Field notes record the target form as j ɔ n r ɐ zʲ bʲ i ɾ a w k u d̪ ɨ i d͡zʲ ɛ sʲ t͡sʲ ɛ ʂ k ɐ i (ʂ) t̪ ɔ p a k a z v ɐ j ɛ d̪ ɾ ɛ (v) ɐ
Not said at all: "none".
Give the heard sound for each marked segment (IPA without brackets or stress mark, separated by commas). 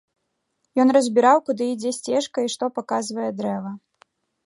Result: ʂ, v